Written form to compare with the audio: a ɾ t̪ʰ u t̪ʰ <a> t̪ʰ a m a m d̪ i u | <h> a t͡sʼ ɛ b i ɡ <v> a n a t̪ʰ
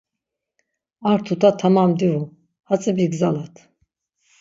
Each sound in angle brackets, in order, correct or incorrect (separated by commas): correct, correct, incorrect